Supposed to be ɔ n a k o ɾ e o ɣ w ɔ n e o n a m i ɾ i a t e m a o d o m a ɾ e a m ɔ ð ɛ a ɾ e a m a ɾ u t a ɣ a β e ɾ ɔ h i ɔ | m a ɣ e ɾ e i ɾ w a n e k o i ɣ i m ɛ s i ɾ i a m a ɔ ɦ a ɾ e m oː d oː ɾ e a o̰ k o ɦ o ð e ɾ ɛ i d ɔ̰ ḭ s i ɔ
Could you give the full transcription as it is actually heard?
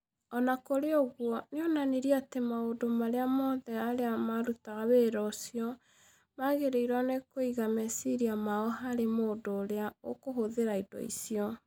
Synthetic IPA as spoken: ɔ n a k o ɾ e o ɣ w ɔ n e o n a n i ɾ i a t e m a o d o m a ɾ e a m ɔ ð ɛ a ɾ e a m a ɾ u t a ɣ a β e ɾ ɔ s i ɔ | m a ɣ e ɾ e i ɾ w a n e k o i ɣ a m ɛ s i ɾ i a m a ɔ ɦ a ɾ e m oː d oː ɾ e a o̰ k o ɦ o ð e ɾ a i d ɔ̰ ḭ s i ɔ